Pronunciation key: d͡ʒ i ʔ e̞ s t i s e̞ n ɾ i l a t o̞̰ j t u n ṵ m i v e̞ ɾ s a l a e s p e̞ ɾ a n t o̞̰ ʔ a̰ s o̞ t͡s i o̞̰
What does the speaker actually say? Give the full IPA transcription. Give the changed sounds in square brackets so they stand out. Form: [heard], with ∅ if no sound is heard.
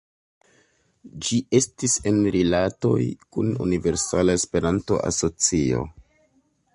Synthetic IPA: d͡ʒ i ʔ e̞ s t i s e̞ n ɾ i l a t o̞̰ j [k] u n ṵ [n] i v e̞ ɾ s a l a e s p e̞ ɾ a n t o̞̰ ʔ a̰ s o̞ t͡s i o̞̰